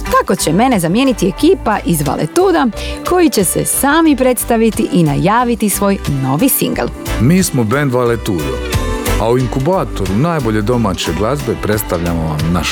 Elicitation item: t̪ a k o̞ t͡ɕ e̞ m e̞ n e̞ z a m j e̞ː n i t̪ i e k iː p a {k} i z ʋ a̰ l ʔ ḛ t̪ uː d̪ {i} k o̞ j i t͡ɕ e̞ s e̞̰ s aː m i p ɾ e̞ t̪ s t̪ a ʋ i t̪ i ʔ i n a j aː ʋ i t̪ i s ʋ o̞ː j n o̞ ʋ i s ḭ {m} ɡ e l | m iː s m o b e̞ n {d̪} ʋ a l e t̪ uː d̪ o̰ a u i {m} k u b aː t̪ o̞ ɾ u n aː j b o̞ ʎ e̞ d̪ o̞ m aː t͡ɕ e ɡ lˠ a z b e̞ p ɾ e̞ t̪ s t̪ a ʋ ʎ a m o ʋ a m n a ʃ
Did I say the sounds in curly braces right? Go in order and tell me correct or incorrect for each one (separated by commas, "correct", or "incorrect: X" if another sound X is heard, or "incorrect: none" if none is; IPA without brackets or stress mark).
incorrect: ʔ, incorrect: a, incorrect: ŋ, correct, incorrect: ŋ